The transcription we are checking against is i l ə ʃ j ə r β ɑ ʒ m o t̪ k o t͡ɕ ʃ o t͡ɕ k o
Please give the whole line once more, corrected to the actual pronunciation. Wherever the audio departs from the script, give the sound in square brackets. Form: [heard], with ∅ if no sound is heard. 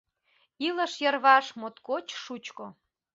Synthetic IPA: i l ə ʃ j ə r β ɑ [ʃ] m o t̪ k o t͡ɕ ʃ [u] t͡ɕ k o